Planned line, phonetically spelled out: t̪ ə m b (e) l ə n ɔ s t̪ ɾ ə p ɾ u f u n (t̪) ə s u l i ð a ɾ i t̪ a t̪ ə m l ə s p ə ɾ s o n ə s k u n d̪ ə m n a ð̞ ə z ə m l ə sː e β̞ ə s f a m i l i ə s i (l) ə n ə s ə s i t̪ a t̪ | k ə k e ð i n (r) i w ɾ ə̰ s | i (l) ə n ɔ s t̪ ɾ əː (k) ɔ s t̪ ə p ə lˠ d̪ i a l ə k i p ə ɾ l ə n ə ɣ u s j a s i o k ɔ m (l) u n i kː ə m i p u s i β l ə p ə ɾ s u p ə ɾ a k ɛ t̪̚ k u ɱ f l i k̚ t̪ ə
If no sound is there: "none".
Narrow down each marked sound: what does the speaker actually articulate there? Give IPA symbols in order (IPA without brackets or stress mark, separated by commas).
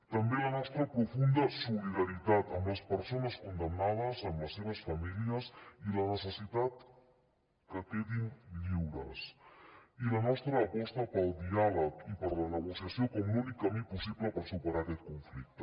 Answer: e, d̪, l, ʎ, l, p, l